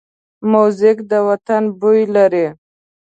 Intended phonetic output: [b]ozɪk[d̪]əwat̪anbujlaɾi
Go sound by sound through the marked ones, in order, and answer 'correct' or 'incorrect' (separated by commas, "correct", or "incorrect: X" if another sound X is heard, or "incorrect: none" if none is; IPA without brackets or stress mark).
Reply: incorrect: m, correct